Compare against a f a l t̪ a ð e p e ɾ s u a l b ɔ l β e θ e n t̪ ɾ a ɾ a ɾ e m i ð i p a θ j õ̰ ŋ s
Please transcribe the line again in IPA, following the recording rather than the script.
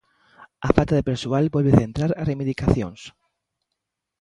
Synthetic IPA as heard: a f a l t̪ a ð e p e ɾ s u a l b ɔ l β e θ e n t̪ ɾ a ɾ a r e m i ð i k a θ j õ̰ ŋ s